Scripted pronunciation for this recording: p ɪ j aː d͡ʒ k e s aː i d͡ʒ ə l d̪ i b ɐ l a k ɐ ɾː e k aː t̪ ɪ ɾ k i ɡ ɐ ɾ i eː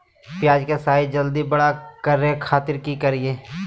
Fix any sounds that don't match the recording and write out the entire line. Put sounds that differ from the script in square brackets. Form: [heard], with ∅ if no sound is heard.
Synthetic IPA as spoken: p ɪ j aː d͡ʒ k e s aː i d͡ʒ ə l d̪ i b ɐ [ɽ] a k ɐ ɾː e [kʰ] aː t̪ ɪ ɾ k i [k] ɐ ɾ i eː